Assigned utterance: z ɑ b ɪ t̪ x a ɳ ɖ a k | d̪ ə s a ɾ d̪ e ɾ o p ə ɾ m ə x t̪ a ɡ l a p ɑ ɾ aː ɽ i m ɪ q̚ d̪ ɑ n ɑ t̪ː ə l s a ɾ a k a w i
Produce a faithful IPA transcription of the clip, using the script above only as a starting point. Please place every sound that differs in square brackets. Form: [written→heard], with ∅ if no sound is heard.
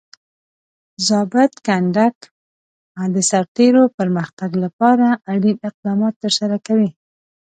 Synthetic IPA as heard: z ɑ b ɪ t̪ [x→k] a ɳ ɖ a k | d̪ ə s a ɾ [d̪→t̪] e ɾ o p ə ɾ m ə x t̪ a ɡ l a p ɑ ɾ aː ɽ i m ɪ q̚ d̪ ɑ [n→m] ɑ t̪ː ə [l→ɾ] s a ɾ a k a w i